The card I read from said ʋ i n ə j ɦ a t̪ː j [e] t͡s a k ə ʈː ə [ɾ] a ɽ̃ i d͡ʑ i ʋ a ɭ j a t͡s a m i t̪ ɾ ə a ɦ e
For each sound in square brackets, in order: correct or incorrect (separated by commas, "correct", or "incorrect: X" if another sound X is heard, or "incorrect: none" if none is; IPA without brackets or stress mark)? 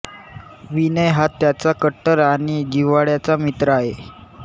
incorrect: a, correct